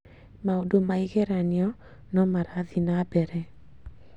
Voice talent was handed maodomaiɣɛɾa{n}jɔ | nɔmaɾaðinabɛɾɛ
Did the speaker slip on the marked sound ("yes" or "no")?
no